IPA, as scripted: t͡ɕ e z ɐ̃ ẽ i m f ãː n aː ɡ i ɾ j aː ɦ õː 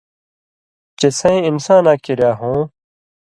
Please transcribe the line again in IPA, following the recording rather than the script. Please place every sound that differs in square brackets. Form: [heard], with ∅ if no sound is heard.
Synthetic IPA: t͡ɕ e [s] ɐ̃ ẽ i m [s] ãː n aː [k] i ɾ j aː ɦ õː

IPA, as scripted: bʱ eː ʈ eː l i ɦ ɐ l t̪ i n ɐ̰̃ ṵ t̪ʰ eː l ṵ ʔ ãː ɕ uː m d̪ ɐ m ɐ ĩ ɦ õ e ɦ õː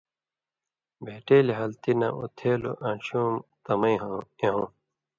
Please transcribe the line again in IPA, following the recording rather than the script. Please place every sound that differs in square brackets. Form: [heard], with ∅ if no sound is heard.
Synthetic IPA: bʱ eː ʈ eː l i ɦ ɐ l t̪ i n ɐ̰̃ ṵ t̪ʰ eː l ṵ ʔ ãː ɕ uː m [t̪] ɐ m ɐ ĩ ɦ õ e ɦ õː

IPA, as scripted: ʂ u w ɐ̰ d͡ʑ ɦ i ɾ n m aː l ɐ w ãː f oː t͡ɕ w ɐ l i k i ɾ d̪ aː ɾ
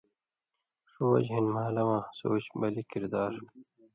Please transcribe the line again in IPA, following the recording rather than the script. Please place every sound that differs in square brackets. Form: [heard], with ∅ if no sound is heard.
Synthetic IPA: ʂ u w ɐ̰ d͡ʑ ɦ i [∅] n m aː l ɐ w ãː [s] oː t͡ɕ [b] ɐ l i k i ɾ d̪ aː ɾ

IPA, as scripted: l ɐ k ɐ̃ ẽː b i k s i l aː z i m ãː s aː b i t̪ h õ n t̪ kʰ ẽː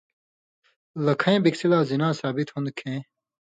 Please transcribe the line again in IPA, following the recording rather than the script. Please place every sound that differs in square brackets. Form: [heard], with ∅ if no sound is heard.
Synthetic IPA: l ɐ [kʰ] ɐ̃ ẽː b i k s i l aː z i [n] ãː s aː b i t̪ h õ n [d̪] kʰ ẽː

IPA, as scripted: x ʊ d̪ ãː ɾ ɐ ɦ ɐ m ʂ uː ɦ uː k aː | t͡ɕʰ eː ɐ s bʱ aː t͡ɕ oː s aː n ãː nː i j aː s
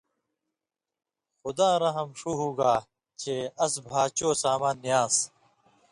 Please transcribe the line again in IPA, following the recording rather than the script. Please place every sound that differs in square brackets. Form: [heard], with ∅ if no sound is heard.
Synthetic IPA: x ʊ d̪ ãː ɾ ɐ ɦ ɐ m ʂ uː ɦ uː [ɡ] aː | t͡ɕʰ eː ɐ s bʱ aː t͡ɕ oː s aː [m] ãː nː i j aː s

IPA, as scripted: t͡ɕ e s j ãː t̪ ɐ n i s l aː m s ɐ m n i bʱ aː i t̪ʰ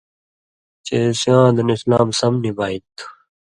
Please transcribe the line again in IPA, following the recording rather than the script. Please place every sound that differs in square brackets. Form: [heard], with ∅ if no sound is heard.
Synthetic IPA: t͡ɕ e s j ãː [d̪] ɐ n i s l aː m s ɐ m n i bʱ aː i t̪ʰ

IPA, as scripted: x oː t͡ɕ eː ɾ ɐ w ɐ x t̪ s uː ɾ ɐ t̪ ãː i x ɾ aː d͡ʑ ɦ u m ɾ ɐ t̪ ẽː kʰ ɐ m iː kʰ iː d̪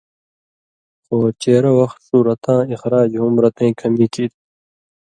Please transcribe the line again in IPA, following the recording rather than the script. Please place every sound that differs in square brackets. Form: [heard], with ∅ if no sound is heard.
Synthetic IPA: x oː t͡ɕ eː ɾ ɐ w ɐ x t̪ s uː ɾ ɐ t̪ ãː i x ɾ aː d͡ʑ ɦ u m ɾ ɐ t̪ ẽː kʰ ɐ m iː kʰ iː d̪

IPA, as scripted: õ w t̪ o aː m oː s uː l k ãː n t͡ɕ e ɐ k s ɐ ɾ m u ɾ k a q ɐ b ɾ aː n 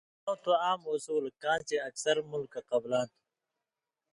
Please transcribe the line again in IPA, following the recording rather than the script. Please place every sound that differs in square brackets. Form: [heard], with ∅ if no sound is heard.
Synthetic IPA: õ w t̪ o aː m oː s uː l k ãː n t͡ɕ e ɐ k s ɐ ɾ m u [l] k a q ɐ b [l] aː n

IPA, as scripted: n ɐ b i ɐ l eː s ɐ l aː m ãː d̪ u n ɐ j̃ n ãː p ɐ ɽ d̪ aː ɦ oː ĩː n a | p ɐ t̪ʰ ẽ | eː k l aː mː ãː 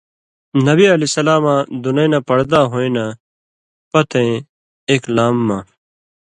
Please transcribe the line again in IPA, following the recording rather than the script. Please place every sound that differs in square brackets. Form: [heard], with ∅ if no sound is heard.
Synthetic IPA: n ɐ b i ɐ l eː s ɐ l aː m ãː d̪ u n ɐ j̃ n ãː p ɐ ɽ d̪ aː ɦ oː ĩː n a | p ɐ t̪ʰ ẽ | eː k l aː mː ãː

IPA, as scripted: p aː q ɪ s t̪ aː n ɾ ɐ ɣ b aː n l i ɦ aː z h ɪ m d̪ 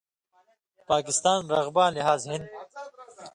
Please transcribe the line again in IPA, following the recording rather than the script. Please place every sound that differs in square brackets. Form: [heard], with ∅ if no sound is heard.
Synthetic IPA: p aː [k] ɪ s t̪ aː n ɾ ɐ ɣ b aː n l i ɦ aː z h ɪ [n] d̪

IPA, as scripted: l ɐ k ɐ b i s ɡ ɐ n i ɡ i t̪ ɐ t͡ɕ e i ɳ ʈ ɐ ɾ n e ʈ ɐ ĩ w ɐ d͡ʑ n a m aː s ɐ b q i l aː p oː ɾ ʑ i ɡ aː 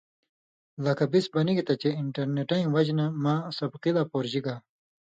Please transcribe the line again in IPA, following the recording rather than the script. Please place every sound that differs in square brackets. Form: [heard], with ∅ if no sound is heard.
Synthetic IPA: l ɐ k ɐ b i s [b] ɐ n i ɡ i t̪ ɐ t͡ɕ e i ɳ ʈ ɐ ɾ n e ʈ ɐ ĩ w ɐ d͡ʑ n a m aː s ɐ b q i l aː p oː ɾ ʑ i ɡ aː

